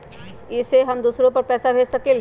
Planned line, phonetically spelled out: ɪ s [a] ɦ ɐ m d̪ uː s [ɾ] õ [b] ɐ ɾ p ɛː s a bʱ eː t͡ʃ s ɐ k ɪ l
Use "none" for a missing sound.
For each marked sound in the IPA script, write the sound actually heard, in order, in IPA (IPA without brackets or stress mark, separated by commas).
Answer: e, ɾ, p